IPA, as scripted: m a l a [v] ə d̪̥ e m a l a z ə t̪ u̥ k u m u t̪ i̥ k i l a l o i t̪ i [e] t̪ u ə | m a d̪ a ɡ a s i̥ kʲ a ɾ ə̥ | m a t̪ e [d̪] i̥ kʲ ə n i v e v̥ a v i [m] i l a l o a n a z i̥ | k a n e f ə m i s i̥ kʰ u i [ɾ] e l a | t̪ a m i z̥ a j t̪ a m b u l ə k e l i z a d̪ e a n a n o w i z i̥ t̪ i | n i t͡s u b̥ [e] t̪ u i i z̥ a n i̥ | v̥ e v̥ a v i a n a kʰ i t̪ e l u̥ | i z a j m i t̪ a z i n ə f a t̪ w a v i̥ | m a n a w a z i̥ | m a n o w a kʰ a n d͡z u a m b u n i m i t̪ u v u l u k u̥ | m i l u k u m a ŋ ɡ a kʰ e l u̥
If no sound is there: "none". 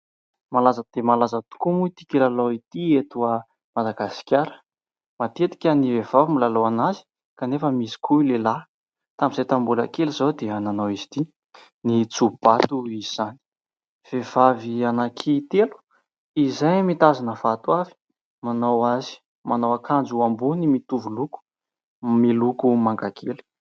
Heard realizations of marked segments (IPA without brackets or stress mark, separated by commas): z, e, t̪, m, l, a